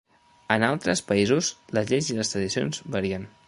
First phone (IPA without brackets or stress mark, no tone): ə